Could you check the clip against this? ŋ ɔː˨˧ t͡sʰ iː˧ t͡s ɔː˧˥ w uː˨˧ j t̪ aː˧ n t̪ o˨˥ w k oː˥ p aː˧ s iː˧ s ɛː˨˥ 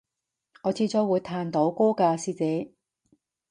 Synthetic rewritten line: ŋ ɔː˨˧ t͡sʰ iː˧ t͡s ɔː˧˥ w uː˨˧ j t̪ʰ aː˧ n t̪ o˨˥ w k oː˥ k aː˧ s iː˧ t͡s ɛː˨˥